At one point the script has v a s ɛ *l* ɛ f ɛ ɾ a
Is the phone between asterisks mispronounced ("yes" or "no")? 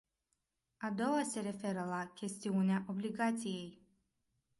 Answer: yes